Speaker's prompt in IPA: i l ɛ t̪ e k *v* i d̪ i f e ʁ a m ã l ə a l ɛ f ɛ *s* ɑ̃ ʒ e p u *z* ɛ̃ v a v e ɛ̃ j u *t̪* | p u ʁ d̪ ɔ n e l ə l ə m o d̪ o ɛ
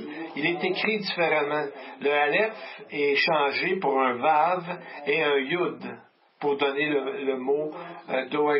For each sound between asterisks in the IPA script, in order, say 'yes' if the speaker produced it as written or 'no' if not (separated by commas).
no, no, no, no